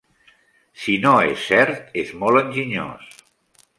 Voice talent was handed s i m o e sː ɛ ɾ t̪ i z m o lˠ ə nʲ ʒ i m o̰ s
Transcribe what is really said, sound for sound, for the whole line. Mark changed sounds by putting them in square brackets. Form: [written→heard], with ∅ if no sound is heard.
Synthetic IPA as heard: s i [m→n] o e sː ɛ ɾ t̪ [i→e] z m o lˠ ə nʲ ʒ i [m→ɲ] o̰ s